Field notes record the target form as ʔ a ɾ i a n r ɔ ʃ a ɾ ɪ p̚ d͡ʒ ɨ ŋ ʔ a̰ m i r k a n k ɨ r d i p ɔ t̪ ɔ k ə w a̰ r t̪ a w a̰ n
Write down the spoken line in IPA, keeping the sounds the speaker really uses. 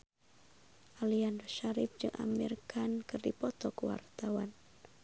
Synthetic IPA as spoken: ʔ a l i a n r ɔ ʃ a ɾ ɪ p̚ d͡ʒ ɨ ŋ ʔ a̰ m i r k a n k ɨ r d i p ɔ t̪ ɔ k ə w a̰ r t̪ a w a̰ n